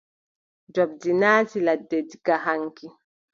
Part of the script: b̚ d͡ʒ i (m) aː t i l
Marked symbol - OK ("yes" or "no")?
no